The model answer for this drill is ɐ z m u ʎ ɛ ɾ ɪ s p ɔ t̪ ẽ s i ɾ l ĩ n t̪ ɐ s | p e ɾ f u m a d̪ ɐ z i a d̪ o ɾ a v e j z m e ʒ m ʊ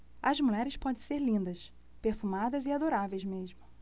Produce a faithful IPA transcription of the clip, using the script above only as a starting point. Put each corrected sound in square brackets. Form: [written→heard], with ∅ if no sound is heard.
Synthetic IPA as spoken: ɐ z m u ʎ ɛ ɾ ɪ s p ɔ [t̪→d̪] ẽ s [i→e] ɾ l ĩ n [t̪→d̪] ɐ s | p e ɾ f u m a d̪ ɐ z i a d̪ o ɾ a v e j z m e ʒ m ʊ